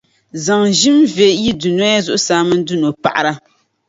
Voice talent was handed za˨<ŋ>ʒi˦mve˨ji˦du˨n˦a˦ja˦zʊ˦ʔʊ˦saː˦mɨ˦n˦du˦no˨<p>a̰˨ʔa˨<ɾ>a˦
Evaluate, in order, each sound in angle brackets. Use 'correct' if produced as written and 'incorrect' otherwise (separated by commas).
correct, correct, correct